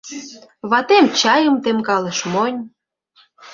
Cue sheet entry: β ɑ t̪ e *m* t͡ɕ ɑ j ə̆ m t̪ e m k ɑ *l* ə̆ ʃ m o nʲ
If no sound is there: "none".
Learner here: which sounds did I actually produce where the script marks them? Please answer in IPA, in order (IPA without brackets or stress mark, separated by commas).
m, l